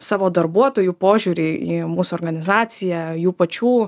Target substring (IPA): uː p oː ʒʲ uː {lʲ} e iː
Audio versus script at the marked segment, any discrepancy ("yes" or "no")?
yes